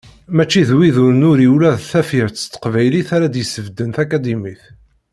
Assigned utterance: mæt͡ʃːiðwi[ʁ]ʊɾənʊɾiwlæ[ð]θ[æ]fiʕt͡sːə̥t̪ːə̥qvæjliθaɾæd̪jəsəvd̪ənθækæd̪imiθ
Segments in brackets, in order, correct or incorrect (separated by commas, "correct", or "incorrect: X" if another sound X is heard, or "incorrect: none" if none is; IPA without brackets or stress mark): incorrect: ð, correct, correct